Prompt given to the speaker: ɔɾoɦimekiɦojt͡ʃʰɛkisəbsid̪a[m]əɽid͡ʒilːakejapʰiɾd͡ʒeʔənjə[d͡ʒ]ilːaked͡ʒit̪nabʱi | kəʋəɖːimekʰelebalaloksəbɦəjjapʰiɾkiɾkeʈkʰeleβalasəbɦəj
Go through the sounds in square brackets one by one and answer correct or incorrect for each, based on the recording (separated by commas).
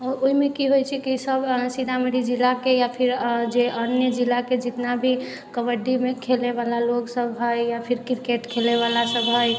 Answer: correct, correct